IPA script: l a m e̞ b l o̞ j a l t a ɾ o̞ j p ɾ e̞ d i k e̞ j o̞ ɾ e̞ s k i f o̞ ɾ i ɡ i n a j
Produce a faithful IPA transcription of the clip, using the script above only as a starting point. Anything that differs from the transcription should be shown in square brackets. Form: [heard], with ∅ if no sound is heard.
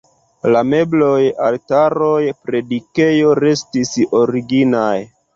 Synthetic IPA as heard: l a m e̞ b l o̞ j a l t a ɾ o̞ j p ɾ e̞ d i k e̞ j o̞ ɾ e̞ s [t] i [s] o̞ ɾ i ɡ i n a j

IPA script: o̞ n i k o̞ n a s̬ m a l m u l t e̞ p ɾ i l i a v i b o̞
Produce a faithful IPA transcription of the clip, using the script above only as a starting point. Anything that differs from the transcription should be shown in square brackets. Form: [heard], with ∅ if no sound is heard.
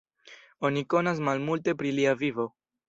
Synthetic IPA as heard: o̞ n i k o̞ n a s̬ m a l m u l t e̞ p ɾ i l i a v i [v] o̞

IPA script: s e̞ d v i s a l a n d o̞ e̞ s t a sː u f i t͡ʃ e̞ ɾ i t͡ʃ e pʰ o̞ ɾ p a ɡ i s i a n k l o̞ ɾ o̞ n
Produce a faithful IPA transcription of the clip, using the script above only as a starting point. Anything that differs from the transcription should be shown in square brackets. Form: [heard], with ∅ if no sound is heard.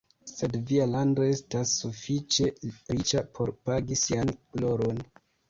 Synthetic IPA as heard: s e̞ d v i [∅] a l a n d o̞ e̞ s t a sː u f i t͡ʃ e̞ ɾ i t͡ʃ [a] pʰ o̞ ɾ p a ɡ i s i a n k l o̞ ɾ o̞ n

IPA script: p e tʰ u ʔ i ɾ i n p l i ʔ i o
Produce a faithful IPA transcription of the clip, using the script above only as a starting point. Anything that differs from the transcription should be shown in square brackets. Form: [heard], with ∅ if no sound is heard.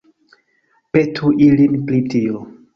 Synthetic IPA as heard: p e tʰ u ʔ i [l] i n p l i [t] i o

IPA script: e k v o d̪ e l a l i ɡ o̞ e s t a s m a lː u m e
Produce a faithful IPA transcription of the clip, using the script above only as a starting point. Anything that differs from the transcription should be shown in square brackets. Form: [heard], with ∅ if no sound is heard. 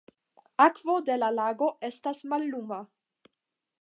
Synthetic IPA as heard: [a] k v o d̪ e l a l [a] ɡ o̞ e s t a s m a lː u m [a]

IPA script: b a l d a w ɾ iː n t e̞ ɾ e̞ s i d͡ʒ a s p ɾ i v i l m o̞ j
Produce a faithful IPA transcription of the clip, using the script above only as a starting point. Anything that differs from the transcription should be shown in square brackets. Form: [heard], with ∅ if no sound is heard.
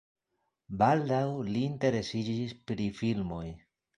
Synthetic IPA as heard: b a l d a w [l] iː n t e̞ ɾ e̞ s i d͡ʒ [i] s p ɾ i [f] i l m o̞ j

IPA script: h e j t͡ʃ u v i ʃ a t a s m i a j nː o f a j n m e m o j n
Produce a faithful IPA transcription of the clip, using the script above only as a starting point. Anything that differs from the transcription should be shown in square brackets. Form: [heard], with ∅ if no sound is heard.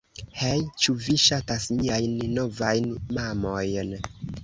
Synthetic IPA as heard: h e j t͡ʃ u v i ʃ a t a s m i a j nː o [v] a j n m [a] m o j n

